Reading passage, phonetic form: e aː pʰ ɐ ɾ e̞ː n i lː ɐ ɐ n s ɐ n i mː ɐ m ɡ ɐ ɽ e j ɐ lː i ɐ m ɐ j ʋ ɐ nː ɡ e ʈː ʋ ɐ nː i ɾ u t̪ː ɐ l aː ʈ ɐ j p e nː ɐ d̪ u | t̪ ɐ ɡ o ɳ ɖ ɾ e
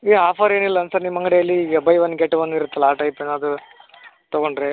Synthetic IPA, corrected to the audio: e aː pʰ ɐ ɾ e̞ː n i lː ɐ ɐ n s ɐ n i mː ɐ ŋ ɡ ɐ ɽ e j ɐ lː i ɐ b ɐ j ʋ ɐ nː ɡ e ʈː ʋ ɐ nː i ɾ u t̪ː ɐ l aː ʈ ɐ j p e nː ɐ d̪ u | t̪ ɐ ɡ o ɳ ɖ ɾ e